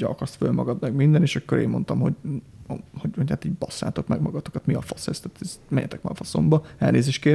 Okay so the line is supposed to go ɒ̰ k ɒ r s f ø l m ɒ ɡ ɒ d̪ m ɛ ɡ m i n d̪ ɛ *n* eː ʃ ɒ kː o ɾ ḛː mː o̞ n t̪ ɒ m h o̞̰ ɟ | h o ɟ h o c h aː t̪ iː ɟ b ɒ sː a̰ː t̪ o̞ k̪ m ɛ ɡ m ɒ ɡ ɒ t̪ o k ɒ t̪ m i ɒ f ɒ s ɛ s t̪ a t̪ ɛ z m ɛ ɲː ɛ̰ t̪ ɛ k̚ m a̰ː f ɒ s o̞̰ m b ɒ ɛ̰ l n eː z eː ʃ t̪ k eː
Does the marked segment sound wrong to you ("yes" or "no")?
no